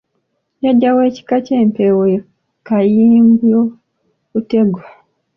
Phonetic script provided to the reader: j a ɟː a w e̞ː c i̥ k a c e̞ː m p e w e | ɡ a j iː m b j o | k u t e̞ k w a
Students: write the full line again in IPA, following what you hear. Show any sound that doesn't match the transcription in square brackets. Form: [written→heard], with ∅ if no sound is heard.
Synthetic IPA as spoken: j a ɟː a w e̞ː c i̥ k a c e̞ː m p e w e | [ɡ→k] a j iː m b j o | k u t e̞ [k→ɡ] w a